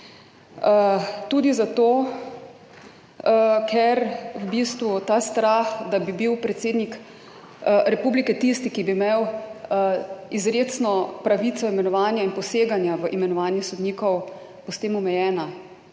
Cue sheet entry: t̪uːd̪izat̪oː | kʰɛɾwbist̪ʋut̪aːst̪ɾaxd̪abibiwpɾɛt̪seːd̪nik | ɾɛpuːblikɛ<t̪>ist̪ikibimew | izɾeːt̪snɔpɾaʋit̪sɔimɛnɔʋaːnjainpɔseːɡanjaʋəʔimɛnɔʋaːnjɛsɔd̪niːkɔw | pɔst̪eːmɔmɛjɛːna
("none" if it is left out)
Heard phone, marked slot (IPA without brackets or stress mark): t̪